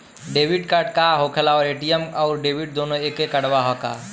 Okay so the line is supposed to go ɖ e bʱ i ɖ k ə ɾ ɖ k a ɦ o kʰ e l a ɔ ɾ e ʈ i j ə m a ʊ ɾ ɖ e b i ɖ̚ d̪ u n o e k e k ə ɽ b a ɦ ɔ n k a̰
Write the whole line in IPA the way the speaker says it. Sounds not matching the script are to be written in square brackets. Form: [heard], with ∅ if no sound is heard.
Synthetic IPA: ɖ e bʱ i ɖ k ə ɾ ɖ k a ɦ o kʰ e l a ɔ ɾ e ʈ i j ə m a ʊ ɾ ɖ e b i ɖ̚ d̪ [o] n o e k e k ə ɽ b a ɦ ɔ [∅] k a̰